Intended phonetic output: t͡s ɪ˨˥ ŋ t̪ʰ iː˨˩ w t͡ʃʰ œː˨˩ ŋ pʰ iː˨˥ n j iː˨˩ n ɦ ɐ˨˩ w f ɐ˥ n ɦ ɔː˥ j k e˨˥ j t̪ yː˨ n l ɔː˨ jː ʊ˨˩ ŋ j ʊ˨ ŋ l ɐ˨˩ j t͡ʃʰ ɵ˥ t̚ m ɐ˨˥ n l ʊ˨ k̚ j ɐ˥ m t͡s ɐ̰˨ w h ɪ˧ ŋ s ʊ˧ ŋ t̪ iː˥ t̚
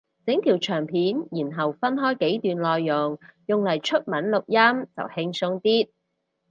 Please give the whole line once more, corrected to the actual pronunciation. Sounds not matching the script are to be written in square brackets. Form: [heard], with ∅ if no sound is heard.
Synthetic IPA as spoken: t͡s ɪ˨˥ ŋ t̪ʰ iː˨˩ w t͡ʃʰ œː˨˩ ŋ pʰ iː˨˥ n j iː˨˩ n ɦ ɐ˨˩ w f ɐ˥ n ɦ ɔː˥ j k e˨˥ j t̪ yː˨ n l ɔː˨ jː ʊ˨˩ ŋ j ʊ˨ ŋ l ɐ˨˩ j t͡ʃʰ ɵ˥ t̚ m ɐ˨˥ n l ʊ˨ k̚ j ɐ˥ m t͡s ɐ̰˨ w h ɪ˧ ŋ s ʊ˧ ŋ t̪ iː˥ t̚